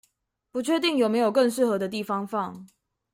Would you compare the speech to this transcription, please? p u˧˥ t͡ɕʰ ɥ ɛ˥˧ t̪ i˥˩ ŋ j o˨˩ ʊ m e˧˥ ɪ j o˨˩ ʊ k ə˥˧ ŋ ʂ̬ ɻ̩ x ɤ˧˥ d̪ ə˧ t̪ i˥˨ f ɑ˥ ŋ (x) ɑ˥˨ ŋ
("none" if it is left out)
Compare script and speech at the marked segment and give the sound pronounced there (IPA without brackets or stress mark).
f